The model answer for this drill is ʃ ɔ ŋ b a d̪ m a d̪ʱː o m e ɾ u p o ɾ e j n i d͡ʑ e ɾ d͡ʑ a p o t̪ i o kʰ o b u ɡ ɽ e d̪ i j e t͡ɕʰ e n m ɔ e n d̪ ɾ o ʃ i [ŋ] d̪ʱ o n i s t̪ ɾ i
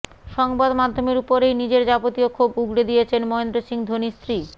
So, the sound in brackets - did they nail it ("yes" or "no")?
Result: yes